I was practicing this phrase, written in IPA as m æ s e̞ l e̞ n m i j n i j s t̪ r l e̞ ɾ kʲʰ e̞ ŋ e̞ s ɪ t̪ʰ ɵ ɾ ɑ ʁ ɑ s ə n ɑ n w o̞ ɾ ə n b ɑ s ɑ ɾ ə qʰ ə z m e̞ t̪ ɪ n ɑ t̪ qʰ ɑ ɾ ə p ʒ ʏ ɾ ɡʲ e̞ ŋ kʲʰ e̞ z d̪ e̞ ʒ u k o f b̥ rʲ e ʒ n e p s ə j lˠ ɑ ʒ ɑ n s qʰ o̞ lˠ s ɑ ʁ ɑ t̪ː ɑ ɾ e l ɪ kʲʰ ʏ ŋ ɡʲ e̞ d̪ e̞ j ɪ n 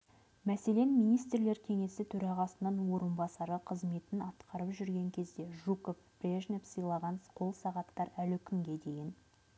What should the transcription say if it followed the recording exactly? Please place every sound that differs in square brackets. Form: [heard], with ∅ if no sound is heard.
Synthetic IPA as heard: m æ s e̞ l e̞ n m i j n i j s t̪ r l e̞ ɾ kʲʰ e̞ ŋ e̞ s ɪ t̪ʰ ɵ ɾ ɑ ʁ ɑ s ə n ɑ n w o̞ ɾ ə n b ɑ s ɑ ɾ ə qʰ ə z m e̞ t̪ ɪ n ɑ t̪ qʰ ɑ ɾ ə p ʒ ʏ ɾ ɡʲ e̞ ŋ kʲʰ e̞ z d̪ e̞ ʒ u k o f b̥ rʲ e ʒ n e p s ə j lˠ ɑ [ʁ] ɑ n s qʰ o̞ lˠ s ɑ ʁ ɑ t̪ː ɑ ɾ [æ] l ɪ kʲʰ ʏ ŋ ɡʲ e̞ d̪ e̞ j ɪ n